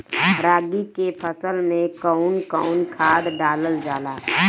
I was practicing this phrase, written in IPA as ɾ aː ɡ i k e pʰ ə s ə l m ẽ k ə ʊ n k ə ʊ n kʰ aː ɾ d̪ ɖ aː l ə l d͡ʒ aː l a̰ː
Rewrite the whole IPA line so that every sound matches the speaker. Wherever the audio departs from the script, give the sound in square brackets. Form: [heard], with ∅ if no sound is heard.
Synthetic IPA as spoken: ɾ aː ɡ i k e pʰ ə s ə l m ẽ k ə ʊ n k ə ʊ n kʰ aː [∅] d̪ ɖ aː l ə l d͡ʒ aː l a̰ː